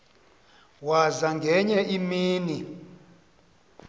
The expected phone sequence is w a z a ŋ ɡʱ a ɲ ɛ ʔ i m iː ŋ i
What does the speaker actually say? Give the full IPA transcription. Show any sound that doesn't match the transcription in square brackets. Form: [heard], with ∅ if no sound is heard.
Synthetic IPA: w a z a ŋ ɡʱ [ɛ] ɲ ɛ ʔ i m iː [n] i